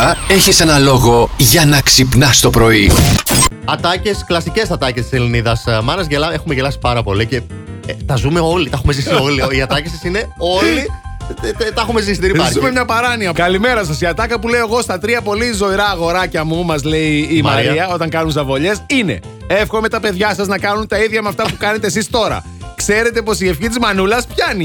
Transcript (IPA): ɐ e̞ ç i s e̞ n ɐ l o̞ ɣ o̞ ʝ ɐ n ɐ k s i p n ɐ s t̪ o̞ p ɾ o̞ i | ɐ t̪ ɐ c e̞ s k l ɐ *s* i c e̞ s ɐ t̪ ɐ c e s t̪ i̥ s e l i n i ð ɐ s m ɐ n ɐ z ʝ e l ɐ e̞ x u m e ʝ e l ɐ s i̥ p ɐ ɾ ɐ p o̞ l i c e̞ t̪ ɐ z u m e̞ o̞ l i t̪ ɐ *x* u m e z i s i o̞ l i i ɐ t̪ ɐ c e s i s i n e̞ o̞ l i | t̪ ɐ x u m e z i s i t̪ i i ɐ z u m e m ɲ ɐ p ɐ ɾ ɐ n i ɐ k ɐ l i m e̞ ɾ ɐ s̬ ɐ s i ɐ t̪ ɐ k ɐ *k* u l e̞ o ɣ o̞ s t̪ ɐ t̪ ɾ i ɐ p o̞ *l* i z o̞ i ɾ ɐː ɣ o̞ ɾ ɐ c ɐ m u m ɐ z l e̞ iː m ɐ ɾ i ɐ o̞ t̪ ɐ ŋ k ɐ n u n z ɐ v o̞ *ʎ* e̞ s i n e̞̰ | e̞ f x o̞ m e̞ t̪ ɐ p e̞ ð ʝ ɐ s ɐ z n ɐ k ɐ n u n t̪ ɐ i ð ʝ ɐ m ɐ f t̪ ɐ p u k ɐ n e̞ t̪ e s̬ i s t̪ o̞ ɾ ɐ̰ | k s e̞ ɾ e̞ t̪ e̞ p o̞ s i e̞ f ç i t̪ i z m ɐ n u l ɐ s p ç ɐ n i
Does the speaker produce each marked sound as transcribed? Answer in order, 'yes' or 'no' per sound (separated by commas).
yes, yes, no, yes, yes